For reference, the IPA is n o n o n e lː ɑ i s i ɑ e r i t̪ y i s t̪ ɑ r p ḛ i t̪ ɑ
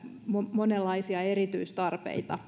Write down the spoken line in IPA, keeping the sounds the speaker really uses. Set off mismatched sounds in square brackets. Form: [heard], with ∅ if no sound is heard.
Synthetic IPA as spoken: [m] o [m] o n e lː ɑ i s i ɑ e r i t̪ y i s t̪ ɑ r p ḛ i t̪ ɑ